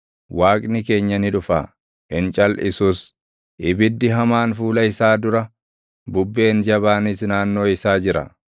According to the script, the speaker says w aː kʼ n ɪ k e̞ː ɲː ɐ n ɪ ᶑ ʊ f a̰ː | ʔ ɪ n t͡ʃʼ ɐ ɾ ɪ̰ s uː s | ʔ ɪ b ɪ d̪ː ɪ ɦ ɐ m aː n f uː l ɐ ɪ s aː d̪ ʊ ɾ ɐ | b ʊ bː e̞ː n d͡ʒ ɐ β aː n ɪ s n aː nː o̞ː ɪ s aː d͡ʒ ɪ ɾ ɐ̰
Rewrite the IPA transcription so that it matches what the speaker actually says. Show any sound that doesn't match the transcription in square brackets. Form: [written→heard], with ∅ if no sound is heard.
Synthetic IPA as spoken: w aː kʼ n ɪ k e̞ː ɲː ɐ n ɪ ᶑ ʊ f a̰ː | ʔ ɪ n t͡ʃʼ ɐ [ɾ→l] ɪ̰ s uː s | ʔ ɪ b ɪ d̪ː ɪ ɦ ɐ m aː n f uː l ɐ ɪ s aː d̪ ʊ ɾ ɐ | b ʊ bː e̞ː n d͡ʒ ɐ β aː n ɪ s n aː nː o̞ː ɪ s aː d͡ʒ ɪ ɾ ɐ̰

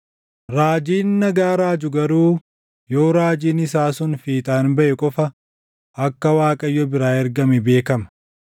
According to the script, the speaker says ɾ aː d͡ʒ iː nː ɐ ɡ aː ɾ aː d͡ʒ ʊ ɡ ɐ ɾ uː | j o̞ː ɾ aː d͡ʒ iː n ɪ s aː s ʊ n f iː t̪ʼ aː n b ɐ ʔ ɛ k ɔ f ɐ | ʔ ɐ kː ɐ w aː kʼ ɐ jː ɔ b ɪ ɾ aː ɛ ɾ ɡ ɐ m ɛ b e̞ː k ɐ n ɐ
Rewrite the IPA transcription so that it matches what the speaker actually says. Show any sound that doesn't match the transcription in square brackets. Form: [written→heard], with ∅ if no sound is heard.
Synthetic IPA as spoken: ɾ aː d͡ʒ iː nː ɐ ɡ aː ɾ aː d͡ʒ ʊ ɡ ɐ ɾ uː | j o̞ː ɾ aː d͡ʒ iː n ɪ s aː s ʊ n f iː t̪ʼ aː n b ɐ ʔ ɛ [k→kʼ] ɔ f ɐ | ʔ ɐ kː ɐ w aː kʼ ɐ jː ɔ b ɪ ɾ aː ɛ ɾ ɡ ɐ m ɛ b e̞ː k ɐ [n→m] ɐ

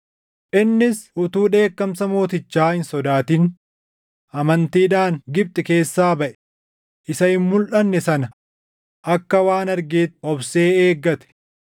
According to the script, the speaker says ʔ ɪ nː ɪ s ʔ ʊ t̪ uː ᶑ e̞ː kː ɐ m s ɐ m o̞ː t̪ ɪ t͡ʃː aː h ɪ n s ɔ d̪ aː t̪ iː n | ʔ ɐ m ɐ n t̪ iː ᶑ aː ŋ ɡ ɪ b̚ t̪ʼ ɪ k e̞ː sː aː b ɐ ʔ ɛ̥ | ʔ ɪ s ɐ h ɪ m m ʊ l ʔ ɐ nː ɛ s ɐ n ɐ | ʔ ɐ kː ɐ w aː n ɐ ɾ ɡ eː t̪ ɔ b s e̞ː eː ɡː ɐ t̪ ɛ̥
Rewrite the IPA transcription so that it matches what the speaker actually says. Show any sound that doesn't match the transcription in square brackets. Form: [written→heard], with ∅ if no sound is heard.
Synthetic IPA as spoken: ʔ ɪ nː ɪ s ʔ ʊ t̪ uː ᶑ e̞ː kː ɐ m s ɐ m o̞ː t̪ ɪ t͡ʃː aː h ɪ n s ɔ d̪ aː t̪ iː n | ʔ ɐ m ɐ n t̪ iː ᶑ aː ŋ ɡ ɪ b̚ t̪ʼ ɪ k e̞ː sː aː b ɐ ʔ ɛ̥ | ʔ ɪ s ɐ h ɪ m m ʊ l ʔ ɐ nː ɛ s ɐ n ɐ | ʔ ɐ kː ɐ w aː n ɐ ɾ ɡ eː t̪ ɔ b s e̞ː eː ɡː ɐ t̪ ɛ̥

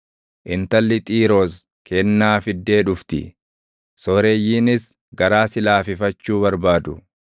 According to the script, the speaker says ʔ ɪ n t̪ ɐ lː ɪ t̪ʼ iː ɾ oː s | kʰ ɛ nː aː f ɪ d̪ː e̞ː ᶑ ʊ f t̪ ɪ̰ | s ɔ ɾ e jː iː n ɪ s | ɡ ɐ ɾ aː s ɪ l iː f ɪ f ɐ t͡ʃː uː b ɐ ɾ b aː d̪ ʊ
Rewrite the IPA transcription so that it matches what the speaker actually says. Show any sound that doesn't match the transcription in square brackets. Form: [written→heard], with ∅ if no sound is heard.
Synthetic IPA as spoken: ʔ ɪ n t̪ ɐ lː ɪ t̪ʼ iː ɾ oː s | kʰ ɛ nː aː f ɪ d̪ː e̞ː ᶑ ʊ f t̪ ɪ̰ | s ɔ ɾ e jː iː n ɪ s | ɡ ɐ ɾ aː s ɪ l [iː→aː] f ɪ f ɐ t͡ʃː uː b ɐ ɾ b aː d̪ ʊ

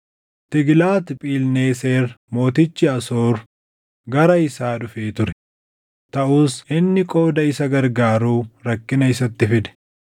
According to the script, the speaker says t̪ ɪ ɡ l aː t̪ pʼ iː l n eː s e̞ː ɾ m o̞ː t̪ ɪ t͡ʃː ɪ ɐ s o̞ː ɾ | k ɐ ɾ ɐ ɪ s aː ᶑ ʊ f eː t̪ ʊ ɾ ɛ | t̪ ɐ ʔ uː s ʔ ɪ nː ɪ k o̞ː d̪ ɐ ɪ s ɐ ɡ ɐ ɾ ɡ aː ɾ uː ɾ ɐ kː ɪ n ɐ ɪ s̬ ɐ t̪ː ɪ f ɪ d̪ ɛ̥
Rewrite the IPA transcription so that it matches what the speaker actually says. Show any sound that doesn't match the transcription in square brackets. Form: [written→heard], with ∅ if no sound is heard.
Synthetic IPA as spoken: t̪ ɪ ɡ l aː t̪ pʼ iː l n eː s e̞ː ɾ m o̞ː t̪ ɪ t͡ʃː ɪ ɐ s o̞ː ɾ | [k→ɡ] ɐ ɾ ɐ ɪ s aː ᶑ ʊ f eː t̪ ʊ ɾ ɛ | t̪ ɐ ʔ uː s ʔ ɪ nː ɪ [k→kʼ] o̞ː d̪ ɐ ɪ s ɐ ɡ ɐ ɾ ɡ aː ɾ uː ɾ ɐ kː ɪ n ɐ ɪ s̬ ɐ t̪ː ɪ f ɪ d̪ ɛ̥

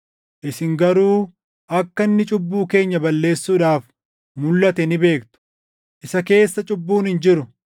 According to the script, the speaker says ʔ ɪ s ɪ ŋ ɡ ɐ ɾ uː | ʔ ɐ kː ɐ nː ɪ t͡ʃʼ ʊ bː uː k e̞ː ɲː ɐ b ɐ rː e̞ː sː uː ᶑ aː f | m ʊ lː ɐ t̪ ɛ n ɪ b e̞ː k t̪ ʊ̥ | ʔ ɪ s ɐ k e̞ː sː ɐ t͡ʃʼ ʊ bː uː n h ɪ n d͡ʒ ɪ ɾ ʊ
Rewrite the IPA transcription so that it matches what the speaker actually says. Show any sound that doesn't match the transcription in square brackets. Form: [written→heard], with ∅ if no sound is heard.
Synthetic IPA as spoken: ʔ ɪ s ɪ ŋ ɡ ɐ ɾ uː | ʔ ɐ kː ɐ nː ɪ t͡ʃʼ ʊ bː uː k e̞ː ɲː ɐ b ɐ [rː→lː] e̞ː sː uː ᶑ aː f | m ʊ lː ɐ t̪ ɛ n ɪ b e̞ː k t̪ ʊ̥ | ʔ ɪ s ɐ k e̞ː sː ɐ t͡ʃʼ ʊ bː uː n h ɪ n d͡ʒ ɪ ɾ ʊ

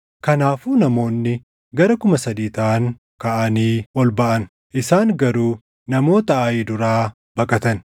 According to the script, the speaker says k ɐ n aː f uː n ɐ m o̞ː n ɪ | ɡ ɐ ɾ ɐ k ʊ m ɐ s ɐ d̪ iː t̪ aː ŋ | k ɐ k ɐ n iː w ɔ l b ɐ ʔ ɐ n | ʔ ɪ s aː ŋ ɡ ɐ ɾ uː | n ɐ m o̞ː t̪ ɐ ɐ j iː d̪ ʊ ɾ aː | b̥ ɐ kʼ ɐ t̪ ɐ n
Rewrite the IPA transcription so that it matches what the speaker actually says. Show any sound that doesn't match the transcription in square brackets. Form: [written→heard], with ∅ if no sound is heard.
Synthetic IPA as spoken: k ɐ n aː f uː n ɐ m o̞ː [n→nː] ɪ | ɡ ɐ ɾ ɐ k ʊ m ɐ s ɐ d̪ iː t̪ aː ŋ | k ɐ [k→ʔ] ɐ n iː w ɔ l b ɐ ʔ ɐ n | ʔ ɪ s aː ŋ ɡ ɐ ɾ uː | n ɐ m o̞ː t̪ ɐ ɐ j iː d̪ ʊ ɾ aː | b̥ ɐ kʼ ɐ t̪ ɐ n

